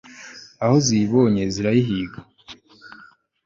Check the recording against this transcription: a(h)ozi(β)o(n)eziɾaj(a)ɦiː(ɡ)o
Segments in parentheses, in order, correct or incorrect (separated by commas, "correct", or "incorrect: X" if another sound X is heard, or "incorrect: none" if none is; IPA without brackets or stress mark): correct, correct, incorrect: ɲ, incorrect: i, correct